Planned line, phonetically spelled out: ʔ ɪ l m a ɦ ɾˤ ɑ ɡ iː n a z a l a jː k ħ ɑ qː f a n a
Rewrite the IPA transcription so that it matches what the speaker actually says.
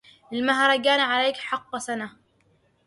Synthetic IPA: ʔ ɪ l m a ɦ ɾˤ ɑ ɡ aː n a ʕ a l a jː k ħ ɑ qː s a n a